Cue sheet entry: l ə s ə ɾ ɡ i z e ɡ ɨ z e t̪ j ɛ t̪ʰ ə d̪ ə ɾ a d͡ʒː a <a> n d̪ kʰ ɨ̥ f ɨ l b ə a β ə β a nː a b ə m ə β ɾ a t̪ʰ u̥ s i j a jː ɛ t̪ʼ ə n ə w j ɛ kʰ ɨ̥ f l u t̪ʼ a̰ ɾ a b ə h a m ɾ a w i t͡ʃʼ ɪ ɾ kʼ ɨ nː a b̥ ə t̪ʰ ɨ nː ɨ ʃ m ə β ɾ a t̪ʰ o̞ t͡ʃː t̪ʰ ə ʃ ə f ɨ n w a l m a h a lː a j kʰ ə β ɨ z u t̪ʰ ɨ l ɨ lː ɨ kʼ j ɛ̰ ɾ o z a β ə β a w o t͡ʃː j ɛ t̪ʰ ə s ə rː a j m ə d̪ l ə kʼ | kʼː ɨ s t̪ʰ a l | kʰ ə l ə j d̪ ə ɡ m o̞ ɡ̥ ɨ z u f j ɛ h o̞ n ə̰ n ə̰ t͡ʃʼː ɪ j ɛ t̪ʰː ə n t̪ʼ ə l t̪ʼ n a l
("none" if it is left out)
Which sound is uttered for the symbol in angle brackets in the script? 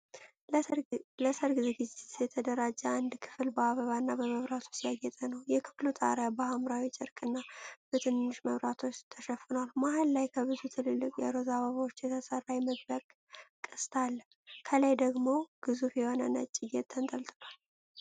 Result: a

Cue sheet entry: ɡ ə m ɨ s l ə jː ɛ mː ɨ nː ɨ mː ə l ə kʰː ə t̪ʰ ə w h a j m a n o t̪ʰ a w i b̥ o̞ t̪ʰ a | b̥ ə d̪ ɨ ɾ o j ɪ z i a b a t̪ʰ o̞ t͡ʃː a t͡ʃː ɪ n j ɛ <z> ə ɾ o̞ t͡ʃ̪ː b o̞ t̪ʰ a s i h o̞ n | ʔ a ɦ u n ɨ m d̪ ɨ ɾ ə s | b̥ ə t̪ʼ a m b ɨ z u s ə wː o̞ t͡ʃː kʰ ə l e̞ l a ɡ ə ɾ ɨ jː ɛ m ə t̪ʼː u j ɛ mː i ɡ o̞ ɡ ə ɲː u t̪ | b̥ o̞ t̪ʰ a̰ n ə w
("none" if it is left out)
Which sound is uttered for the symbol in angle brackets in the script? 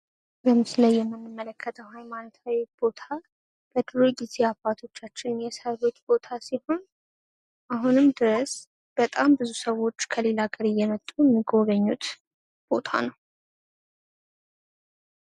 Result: s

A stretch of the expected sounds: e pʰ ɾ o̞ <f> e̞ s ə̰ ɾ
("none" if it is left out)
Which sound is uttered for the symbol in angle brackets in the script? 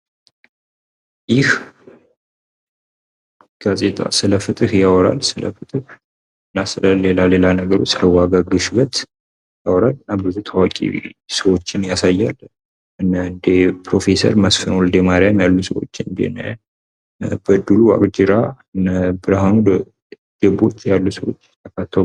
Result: f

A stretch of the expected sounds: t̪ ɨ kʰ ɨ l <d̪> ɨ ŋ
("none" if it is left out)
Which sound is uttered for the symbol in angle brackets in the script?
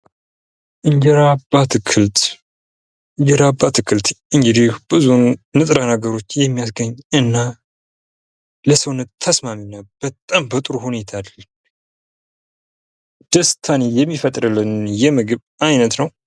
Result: t̪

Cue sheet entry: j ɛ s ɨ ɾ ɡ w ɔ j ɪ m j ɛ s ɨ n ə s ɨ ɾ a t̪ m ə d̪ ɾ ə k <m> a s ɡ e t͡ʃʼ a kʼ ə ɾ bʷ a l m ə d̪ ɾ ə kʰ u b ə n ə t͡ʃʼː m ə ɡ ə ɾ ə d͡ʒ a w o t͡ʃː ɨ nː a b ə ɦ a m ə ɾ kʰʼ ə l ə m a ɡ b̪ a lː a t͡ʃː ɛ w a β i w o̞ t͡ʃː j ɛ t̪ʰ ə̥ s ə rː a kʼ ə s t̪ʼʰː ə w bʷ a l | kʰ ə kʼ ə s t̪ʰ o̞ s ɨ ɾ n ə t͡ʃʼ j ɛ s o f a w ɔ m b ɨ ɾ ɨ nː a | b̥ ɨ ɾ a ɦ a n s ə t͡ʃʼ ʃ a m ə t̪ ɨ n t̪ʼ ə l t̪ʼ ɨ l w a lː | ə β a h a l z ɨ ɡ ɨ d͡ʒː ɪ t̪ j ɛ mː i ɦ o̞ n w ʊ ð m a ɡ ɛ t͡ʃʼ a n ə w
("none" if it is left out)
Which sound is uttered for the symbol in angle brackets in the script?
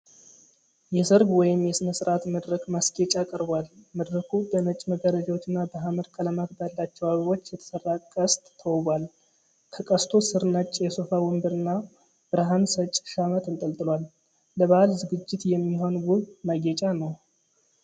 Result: m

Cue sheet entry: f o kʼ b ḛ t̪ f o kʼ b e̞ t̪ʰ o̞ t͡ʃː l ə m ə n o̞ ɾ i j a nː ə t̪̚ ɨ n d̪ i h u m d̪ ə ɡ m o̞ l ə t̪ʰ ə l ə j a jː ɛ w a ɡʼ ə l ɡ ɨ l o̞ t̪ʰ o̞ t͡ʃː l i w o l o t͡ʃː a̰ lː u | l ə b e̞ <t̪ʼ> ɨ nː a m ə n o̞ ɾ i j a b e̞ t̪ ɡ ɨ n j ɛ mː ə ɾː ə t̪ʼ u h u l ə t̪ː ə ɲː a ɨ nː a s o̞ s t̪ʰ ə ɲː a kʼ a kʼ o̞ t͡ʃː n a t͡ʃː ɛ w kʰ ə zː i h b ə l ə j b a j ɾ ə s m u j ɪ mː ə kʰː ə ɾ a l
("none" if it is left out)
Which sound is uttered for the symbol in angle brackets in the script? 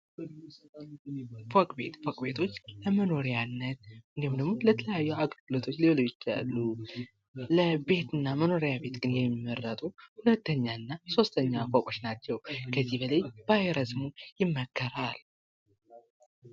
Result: t̪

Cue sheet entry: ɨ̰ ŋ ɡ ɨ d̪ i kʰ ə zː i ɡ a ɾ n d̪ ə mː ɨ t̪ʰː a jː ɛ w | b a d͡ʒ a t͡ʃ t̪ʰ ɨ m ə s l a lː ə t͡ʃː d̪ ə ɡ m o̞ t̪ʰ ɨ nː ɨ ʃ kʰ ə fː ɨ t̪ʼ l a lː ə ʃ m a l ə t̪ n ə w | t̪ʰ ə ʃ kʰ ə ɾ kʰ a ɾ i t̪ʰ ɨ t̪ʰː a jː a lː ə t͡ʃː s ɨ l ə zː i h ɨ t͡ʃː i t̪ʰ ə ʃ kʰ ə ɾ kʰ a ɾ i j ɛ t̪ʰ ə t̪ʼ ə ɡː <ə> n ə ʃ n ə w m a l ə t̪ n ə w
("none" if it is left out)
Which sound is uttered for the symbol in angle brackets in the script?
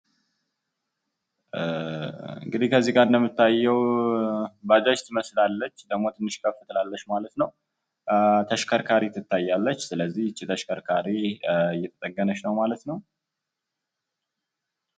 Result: ə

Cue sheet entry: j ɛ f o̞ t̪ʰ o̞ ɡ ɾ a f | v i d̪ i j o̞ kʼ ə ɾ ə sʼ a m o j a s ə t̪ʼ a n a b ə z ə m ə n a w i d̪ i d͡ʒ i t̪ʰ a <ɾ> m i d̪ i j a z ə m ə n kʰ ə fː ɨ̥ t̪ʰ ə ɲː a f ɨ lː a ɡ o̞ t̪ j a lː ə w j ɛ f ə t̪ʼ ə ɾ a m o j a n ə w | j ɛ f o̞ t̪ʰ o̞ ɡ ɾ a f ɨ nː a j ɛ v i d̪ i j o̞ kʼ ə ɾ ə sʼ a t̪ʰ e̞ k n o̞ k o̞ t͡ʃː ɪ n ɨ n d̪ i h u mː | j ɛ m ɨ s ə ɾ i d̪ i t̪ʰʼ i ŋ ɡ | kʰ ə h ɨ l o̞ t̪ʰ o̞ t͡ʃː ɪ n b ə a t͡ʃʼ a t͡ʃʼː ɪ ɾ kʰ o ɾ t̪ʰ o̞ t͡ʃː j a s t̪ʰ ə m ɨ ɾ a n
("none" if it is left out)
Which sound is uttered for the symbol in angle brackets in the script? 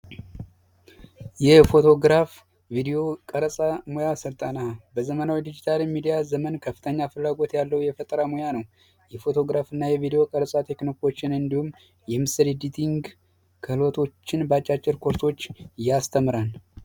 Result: l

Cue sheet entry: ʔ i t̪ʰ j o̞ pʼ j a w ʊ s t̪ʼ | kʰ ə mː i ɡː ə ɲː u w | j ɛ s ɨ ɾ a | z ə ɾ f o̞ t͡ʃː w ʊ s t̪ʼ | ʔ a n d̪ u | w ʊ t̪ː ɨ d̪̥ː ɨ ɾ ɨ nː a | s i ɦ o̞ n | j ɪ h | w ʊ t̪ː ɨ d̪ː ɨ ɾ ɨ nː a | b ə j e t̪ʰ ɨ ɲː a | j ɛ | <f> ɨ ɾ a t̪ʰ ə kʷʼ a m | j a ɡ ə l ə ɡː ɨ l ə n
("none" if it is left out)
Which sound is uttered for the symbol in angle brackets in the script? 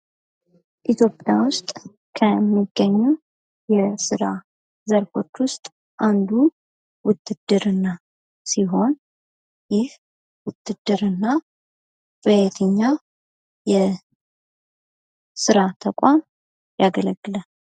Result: s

